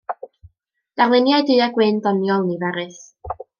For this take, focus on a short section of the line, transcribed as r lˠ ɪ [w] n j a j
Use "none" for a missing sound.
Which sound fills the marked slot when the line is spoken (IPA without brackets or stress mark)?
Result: none